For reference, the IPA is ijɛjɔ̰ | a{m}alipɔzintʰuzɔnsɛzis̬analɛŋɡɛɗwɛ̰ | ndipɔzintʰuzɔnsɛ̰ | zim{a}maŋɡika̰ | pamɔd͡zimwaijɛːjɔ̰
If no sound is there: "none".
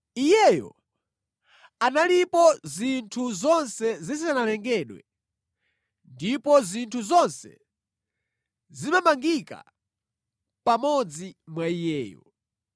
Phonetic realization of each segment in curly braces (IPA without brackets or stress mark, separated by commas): n, a